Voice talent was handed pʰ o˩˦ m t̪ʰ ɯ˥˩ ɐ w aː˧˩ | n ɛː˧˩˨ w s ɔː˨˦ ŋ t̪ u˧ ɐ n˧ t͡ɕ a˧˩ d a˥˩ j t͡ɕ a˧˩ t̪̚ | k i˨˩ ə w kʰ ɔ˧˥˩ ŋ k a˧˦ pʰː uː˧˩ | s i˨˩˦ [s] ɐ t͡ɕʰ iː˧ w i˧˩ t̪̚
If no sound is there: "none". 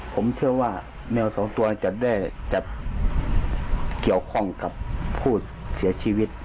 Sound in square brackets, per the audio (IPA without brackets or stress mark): none